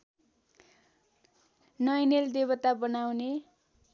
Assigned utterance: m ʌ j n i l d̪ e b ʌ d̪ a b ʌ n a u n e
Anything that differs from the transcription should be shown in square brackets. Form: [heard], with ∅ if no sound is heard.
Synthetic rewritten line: [n] ʌ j n [e] l d̪ e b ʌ [t̪] a b ʌ n a [w] n e